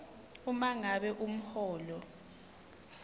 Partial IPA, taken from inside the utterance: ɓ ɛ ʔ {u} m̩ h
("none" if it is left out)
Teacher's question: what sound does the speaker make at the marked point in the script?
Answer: u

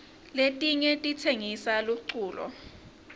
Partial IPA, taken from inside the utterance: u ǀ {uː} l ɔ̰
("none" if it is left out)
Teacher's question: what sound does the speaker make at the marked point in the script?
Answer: uː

